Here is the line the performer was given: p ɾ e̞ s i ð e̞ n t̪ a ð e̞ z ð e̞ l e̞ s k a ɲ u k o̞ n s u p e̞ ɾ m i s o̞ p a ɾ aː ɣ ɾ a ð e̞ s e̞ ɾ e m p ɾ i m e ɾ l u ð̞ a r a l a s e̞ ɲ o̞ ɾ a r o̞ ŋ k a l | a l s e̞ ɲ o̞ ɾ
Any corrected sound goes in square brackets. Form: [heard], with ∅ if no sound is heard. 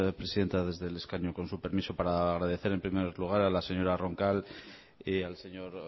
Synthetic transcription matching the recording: p ɾ e̞ s i ð e̞ n t̪ a ð e̞ z ð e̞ l e̞ s k a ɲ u k o̞ n s u p e̞ ɾ m i s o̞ p a ɾ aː ɣ ɾ a ð e̞ [θ] e̞ ɾ e m p ɾ i m e ɾ l u [ɣ̞] a [ɾ] a l a s e̞ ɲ o̞ ɾ a r o̞ ŋ k a l | a l s e̞ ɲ o̞ ɾ